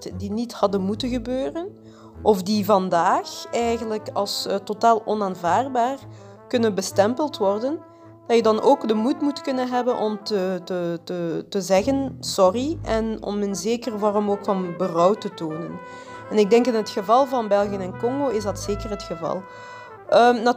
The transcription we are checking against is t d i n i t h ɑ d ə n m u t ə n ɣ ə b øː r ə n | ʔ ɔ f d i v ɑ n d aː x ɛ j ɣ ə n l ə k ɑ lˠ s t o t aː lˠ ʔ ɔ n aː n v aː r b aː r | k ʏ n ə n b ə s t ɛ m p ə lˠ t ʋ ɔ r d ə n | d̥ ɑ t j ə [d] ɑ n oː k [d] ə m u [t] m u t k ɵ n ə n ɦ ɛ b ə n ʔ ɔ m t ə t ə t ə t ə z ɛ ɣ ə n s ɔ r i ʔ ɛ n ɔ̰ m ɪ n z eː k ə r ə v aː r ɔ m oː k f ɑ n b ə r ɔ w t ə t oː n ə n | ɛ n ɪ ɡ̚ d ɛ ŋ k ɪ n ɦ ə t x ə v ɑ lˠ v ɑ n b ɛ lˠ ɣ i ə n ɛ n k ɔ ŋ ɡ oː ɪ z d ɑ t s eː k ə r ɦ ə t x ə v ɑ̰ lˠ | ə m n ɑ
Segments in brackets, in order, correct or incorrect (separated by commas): correct, correct, correct